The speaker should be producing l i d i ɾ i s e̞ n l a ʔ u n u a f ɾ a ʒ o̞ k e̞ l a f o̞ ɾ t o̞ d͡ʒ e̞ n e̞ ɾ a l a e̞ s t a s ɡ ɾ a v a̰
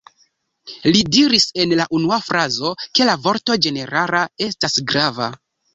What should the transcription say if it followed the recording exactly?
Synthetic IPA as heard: l i d i ɾ i s e̞ n l a ʔ u n u a f ɾ a z o̞ k e̞ l a v o̞ ɾ t o̞ d͡ʒ e̞ n e̞ ɾ a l a e̞ s t a s ɡ ɾ a v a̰